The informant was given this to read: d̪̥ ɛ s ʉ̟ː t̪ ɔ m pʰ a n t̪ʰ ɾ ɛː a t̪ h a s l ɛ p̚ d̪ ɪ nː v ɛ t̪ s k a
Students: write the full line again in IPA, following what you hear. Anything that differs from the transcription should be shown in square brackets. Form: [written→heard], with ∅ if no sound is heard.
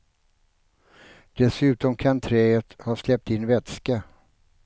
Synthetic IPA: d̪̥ ɛ s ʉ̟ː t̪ ɔ m [pʰ→kʰ] a n t̪ʰ ɾ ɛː [a→ə] t̪ h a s l ɛ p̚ [d̪→t̪] ɪ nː v ɛ t̪ s k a